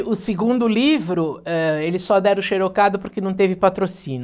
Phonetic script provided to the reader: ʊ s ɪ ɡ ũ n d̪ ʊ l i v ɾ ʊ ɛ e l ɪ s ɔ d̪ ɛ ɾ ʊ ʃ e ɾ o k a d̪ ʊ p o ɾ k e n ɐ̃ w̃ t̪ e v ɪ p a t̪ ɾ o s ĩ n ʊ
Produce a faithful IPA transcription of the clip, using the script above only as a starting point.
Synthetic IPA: ʊ s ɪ ɡ ũ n d̪ ʊ l i v ɾ ʊ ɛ e l ɪ s ɔ d̪ ɛ ɾ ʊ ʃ e ɾ o k a d̪ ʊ p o ɾ k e n ɐ̃ w̃ t̪ e v ɪ p a t̪ ɾ o s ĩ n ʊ